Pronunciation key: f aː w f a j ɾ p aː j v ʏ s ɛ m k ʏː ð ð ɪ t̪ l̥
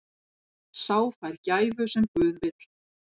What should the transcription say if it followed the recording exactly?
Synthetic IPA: s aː w f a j ɾ c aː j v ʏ s ɛ m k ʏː ð v ɪ t̪ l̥